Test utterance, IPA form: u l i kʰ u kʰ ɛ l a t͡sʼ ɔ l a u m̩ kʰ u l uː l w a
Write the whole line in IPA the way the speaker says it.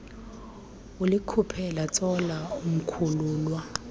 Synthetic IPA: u l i kʰ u pʰ ɛ l a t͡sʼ ɔ l a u m̩ kʰ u l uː l w a